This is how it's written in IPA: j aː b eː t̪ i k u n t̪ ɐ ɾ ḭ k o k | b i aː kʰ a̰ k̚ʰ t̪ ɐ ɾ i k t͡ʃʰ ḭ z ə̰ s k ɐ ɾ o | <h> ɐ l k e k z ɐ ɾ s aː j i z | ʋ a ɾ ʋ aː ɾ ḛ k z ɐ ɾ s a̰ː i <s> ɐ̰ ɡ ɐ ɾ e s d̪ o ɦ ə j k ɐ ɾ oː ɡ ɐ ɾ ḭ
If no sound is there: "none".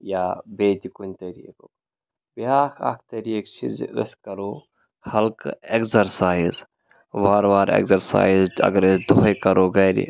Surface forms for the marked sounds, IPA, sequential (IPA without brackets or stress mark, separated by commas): h, z